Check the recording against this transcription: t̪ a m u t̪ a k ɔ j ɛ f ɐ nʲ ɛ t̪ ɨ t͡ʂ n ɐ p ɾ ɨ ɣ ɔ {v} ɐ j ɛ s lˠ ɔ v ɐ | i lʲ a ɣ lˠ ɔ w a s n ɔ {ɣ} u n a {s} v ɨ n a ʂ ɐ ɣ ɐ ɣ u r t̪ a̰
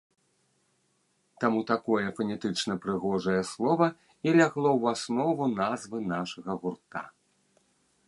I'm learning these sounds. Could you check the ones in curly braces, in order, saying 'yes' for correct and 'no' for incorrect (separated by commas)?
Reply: no, no, no